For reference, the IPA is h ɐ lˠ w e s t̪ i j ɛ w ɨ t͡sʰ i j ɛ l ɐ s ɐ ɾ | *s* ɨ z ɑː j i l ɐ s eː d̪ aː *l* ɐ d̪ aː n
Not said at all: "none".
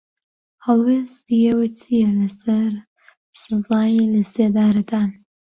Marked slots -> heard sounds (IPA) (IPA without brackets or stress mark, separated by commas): s, ɾ